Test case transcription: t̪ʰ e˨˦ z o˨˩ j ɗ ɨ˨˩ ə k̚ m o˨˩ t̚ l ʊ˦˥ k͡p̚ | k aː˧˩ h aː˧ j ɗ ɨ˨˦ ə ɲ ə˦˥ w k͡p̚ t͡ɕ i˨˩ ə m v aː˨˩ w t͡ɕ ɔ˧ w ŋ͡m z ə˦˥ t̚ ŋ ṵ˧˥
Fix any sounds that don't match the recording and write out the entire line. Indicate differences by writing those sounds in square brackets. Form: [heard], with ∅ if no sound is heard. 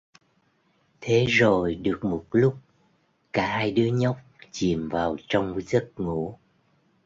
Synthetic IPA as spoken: t̪ʰ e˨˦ z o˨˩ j ɗ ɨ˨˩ ə k̚ m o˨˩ t̚ l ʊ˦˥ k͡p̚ | k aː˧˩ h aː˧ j ɗ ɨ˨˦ ə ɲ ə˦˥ w k͡p̚ t͡ɕ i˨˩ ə m v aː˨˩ w t͡ɕ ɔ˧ w ŋ͡m z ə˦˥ t̚ ŋ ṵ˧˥